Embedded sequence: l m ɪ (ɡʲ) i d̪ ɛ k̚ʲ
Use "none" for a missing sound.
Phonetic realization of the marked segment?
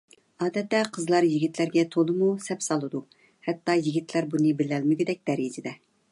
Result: ɡʲ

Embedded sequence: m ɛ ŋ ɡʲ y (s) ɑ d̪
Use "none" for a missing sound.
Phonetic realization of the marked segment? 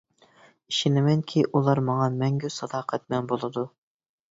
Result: s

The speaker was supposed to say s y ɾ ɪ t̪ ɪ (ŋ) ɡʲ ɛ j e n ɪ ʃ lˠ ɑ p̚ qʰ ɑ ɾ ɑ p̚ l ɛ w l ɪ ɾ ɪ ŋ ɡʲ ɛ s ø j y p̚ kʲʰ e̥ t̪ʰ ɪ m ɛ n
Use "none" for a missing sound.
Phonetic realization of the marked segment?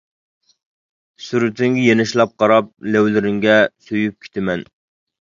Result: ŋ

